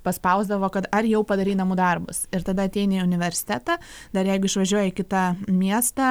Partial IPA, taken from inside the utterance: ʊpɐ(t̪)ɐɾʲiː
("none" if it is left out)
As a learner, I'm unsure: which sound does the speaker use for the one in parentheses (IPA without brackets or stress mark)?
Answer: d̪